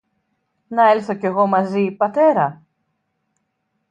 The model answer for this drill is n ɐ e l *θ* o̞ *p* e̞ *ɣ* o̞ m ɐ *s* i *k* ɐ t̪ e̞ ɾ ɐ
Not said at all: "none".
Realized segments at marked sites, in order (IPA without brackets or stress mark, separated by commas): θ, c, ɣ, z, p